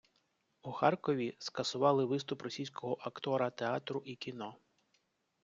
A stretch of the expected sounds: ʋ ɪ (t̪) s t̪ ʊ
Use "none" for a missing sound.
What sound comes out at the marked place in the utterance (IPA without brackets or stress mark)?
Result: none